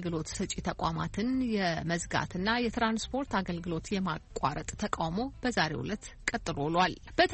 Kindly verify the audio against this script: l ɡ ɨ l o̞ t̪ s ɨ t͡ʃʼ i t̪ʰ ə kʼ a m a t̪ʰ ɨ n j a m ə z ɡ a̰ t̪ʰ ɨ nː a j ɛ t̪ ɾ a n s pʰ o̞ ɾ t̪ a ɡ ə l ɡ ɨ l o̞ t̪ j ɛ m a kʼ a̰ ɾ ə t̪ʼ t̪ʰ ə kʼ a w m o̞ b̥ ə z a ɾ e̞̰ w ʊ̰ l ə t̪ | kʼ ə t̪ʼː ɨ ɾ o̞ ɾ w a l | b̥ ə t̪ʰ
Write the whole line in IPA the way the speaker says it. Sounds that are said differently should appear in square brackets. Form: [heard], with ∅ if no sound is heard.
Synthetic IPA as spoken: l ɡ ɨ l o̞ t̪ s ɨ t͡ʃʼ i t̪ʰ ə kʼ a m a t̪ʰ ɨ n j [ɛ] m ə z ɡ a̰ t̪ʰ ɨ nː a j ɛ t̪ ɾ a n s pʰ o̞ ɾ t̪ a ɡ ə l ɡ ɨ l o̞ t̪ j ɛ m a kʼ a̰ ɾ ə t̪ʼ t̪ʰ ə kʼ a w m o̞ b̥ ə z a ɾ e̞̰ w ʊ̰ l ə t̪ | kʼ ə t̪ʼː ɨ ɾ o̞ [l] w a l | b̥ ə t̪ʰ